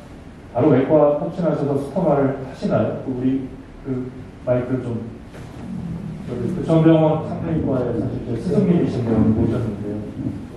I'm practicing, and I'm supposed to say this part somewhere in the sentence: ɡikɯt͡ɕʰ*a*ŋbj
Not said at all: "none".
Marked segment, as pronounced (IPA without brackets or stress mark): ʌ